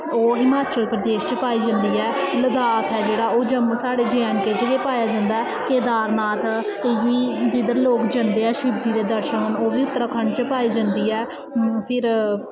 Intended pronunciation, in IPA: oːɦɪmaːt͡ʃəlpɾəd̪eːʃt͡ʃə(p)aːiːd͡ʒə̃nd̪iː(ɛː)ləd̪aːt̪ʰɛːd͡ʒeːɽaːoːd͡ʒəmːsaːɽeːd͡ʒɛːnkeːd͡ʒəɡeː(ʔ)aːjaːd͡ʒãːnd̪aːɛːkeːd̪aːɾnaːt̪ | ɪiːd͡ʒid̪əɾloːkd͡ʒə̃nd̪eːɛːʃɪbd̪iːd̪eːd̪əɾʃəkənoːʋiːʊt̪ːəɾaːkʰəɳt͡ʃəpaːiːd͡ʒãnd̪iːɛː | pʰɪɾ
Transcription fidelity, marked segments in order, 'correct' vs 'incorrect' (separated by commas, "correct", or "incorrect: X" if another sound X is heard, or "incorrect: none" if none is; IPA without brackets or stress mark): correct, correct, incorrect: p